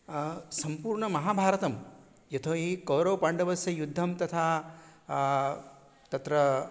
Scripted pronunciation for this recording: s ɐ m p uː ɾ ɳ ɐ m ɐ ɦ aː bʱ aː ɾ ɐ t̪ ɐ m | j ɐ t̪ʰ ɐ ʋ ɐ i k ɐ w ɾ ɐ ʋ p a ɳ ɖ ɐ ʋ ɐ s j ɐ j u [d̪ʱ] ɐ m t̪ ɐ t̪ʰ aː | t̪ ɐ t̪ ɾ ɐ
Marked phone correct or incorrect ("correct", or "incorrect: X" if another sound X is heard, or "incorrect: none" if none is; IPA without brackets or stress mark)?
incorrect: d̪ʱː